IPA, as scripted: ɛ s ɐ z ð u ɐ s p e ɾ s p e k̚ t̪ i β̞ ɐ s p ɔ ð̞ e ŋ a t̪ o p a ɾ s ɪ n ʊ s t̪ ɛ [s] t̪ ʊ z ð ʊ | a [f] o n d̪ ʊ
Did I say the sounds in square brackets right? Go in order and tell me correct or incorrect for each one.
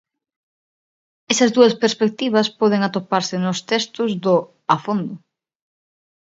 correct, correct

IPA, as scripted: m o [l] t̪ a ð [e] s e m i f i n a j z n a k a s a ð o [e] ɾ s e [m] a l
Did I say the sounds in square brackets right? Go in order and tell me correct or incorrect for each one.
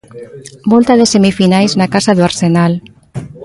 correct, correct, incorrect: a, incorrect: n

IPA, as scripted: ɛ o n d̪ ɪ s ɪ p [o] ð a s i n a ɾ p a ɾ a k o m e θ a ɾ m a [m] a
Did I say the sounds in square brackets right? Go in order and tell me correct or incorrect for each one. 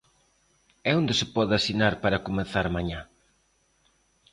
incorrect: ɔ, incorrect: ɲ

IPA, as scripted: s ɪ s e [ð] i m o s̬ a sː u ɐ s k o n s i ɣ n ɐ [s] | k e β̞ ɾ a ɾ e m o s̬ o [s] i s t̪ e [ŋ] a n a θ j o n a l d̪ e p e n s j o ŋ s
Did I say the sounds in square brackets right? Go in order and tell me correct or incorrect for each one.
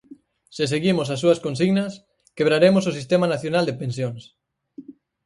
incorrect: ɣ, correct, correct, incorrect: m

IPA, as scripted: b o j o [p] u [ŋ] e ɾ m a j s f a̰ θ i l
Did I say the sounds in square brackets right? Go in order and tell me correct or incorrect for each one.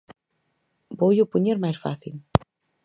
correct, incorrect: ɲ

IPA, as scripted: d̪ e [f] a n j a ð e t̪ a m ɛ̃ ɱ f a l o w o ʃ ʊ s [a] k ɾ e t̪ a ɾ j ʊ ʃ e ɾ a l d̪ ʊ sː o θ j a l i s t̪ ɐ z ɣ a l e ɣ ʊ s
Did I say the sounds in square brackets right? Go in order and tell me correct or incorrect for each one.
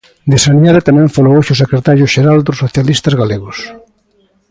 incorrect: s, incorrect: e

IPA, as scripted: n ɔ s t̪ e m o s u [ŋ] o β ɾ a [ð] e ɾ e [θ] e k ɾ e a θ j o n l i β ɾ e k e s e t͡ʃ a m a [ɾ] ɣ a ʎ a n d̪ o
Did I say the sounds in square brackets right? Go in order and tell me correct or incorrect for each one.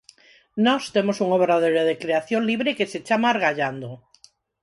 correct, correct, incorrect: ð, correct

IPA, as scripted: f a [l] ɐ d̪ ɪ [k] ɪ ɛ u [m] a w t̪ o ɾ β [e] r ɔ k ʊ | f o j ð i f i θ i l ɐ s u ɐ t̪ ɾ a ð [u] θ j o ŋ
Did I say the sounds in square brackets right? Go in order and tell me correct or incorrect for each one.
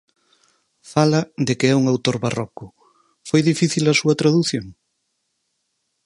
correct, correct, incorrect: ŋ, incorrect: a, correct

